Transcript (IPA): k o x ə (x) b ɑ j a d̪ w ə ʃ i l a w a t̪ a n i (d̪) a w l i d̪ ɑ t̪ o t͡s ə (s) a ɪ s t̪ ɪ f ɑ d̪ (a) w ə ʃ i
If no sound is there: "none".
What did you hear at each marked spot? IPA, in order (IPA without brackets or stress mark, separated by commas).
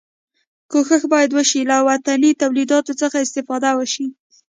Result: x, t̪, x, a